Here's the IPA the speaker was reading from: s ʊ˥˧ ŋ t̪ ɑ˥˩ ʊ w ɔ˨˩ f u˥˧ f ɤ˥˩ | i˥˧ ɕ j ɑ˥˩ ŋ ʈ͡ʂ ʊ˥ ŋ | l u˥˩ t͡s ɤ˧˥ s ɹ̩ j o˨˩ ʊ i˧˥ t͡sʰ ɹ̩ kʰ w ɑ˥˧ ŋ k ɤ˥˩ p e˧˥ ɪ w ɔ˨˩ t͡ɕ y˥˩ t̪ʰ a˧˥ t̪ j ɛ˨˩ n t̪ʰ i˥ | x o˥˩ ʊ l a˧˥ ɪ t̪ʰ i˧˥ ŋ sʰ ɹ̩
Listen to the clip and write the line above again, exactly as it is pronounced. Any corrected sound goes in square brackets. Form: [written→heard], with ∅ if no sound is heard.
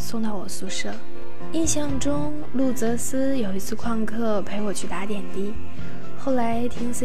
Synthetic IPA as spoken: s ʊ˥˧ ŋ t̪ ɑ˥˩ ʊ w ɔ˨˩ [f→s] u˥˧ [f→ʂ] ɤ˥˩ | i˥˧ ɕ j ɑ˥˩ ŋ ʈ͡ʂ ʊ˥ ŋ | l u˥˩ t͡s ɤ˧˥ s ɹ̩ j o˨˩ ʊ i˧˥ t͡sʰ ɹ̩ kʰ w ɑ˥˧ ŋ [k→kʰ] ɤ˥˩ [p→pʰ] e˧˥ ɪ w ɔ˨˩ [t͡ɕ→t͡ɕʰ] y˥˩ [t̪ʰ→t̪] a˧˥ t̪ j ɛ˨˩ n [t̪ʰ→t̪] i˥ | x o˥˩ ʊ l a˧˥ ɪ t̪ʰ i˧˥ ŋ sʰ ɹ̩